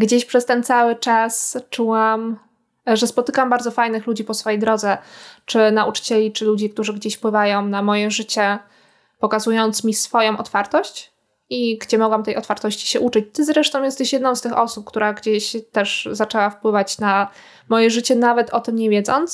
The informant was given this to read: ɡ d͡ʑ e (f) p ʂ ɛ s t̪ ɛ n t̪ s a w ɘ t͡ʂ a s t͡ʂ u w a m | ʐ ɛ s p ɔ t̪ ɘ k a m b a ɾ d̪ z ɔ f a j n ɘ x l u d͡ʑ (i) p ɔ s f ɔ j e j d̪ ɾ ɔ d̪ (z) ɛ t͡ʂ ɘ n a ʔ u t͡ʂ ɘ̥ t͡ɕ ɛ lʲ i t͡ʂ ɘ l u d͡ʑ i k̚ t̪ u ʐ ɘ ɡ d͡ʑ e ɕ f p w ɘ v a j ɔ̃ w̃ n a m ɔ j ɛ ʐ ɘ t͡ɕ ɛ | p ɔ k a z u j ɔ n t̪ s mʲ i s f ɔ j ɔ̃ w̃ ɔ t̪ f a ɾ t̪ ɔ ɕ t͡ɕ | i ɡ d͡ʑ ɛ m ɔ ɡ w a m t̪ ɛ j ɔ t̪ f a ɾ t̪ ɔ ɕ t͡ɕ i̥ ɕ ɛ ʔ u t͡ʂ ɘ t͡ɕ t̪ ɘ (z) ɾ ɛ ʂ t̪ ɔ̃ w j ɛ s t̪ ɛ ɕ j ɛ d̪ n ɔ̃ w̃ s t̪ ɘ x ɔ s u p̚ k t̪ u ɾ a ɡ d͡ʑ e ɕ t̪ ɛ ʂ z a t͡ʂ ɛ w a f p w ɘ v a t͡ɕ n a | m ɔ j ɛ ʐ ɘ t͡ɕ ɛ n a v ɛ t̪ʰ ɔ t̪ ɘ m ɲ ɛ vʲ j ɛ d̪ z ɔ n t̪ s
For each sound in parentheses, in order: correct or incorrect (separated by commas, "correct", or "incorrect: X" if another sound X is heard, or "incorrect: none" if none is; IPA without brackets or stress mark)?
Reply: incorrect: ɕ, correct, correct, correct